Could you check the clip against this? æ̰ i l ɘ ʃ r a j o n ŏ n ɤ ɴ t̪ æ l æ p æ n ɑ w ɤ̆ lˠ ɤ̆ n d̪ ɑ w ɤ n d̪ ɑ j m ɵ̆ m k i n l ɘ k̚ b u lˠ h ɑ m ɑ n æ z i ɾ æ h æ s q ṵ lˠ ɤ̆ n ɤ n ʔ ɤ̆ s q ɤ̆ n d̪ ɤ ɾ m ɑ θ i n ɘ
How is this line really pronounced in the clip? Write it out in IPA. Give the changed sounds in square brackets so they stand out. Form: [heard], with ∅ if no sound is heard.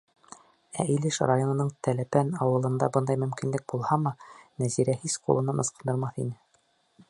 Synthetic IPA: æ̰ i l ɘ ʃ r a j o n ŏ n ɤ ɴ t̪ æ l æ p æ n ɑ w ɤ̆ lˠ ɤ̆ n d̪ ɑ [b] ɤ n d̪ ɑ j m ɵ̆ m k i n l ɘ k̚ b u lˠ h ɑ m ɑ n æ z i ɾ æ h [i] s q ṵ lˠ ɤ̆ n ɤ n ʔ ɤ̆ s q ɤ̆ n d̪ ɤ ɾ m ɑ θ i n ɘ